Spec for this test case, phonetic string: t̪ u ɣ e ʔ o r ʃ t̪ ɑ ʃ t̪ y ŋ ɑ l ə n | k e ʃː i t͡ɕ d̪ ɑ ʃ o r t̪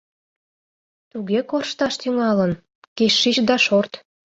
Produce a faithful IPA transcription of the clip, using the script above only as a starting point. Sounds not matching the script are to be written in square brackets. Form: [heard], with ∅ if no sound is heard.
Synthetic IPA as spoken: t̪ u ɣ e [k] o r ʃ t̪ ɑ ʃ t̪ y ŋ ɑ l ə n | k e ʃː i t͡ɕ d̪ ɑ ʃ o r t̪